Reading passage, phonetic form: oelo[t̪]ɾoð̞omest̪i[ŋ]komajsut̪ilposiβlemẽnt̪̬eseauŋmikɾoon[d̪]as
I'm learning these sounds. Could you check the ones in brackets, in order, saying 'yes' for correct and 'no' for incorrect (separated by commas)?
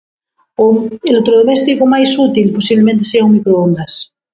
yes, no, yes